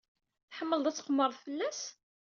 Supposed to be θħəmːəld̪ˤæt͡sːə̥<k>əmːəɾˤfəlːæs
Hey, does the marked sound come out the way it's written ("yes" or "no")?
no